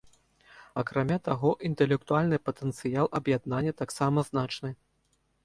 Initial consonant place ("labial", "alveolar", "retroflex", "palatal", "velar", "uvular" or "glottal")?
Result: velar